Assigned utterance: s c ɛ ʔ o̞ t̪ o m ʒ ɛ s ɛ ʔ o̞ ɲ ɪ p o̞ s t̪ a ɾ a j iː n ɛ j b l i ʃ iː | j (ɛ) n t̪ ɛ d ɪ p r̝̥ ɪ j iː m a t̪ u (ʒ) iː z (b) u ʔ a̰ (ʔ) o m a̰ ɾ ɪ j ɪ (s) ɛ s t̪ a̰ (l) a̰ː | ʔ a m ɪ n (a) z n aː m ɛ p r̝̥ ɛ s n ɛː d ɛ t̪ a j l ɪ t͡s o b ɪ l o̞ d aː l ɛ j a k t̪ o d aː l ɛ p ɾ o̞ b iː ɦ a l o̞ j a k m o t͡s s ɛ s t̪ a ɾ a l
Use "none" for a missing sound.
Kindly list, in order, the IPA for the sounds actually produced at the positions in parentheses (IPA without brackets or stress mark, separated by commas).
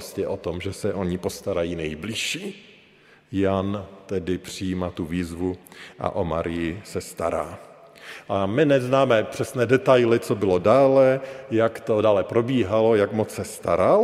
a, v, v, ʔ, s, ɾ, ɛ